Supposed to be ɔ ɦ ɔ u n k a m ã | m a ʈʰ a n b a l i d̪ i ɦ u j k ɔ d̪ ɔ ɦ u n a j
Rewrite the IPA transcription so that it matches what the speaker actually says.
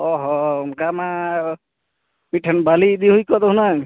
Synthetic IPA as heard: ɔ ɦ ɔ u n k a m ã | m i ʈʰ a n b a l i d̪ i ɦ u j k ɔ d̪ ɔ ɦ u n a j